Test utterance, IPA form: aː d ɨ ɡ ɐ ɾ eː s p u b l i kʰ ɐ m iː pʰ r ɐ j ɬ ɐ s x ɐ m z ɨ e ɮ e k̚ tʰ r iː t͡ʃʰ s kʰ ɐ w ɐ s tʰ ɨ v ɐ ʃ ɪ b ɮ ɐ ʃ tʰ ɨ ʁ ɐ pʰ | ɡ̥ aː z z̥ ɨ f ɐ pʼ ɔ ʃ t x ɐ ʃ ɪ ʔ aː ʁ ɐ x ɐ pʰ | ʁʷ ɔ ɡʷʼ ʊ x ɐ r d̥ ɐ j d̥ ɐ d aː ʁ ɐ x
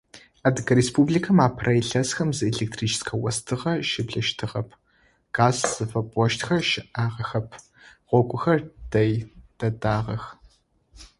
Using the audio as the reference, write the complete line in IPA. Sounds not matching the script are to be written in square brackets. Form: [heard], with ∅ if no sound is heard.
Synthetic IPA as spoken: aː d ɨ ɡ ɐ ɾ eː s p u b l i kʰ ɐ m [aː] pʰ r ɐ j ɬ ɐ s x ɐ m z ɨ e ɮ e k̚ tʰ r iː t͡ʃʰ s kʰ ɐ w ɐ s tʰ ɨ [ʁ] ɐ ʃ ɪ b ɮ ɐ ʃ tʰ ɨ ʁ ɐ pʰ | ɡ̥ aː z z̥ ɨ f ɐ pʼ ɔ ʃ t x ɐ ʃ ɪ ʔ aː ʁ ɐ x ɐ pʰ | ʁʷ ɔ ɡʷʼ ʊ x ɐ r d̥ ɐ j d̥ ɐ d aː ʁ ɐ x